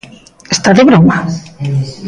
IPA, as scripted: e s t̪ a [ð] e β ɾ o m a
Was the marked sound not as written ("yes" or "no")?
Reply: no